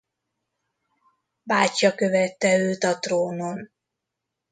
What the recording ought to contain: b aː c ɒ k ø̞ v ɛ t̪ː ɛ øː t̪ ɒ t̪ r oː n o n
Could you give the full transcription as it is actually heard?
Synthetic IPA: b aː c ɒ k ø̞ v ɛ t̪ː ɛ øː t̪ ɒ t̪ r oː n o n